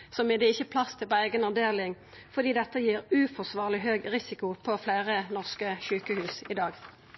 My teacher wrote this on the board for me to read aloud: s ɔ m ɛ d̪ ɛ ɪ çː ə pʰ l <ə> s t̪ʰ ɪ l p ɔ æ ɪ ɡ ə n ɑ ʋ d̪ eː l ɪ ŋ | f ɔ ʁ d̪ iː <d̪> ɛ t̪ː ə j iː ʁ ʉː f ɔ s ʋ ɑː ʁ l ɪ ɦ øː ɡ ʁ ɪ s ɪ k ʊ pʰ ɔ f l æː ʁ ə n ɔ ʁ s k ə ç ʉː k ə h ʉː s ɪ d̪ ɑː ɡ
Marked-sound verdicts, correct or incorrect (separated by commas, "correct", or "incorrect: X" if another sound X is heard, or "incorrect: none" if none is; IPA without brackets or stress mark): incorrect: ɑ, correct